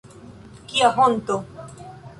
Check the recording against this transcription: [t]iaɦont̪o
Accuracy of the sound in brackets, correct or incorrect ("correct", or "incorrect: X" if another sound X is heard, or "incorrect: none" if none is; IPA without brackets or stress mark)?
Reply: incorrect: k